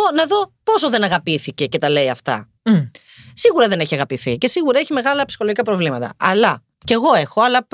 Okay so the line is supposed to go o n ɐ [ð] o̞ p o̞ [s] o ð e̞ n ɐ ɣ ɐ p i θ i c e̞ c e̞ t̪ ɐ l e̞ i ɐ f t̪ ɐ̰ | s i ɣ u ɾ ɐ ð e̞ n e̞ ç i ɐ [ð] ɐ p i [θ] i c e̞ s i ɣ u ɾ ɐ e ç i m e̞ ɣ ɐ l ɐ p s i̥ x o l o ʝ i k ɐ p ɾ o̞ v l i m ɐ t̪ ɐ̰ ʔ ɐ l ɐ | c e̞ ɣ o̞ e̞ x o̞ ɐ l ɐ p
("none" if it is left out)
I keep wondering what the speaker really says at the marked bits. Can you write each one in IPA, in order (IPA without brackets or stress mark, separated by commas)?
ð, s, ɣ, θ